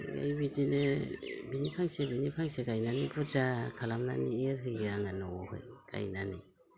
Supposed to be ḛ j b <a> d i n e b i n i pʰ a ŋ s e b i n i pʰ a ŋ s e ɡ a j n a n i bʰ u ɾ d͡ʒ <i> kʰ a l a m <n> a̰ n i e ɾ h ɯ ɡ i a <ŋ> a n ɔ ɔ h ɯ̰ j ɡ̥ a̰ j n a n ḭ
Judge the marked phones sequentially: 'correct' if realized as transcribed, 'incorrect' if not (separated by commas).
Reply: incorrect, incorrect, correct, correct